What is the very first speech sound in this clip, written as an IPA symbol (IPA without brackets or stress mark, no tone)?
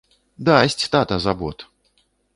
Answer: d̪